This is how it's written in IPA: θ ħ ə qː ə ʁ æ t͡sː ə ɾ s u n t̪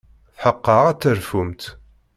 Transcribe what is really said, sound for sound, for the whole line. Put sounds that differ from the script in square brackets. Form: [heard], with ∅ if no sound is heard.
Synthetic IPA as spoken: θ ħ ə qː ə ʁ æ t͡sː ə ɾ [f] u [m] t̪